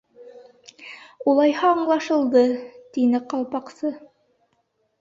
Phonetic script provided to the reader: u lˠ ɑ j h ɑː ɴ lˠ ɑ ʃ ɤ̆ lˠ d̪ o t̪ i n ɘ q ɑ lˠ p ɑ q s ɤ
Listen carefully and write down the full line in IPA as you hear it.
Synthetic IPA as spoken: u lˠ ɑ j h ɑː ɴ lˠ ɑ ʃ ɤ̆ lˠ d̪ ɤ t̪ i n ɘ q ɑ lˠ p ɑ q s ɤ